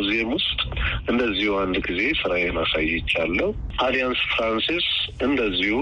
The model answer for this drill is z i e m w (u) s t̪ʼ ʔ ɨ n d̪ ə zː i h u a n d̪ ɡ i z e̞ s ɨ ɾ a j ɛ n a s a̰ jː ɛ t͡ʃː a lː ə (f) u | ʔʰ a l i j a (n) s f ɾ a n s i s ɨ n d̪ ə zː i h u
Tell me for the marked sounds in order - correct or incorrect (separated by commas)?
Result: incorrect, incorrect, correct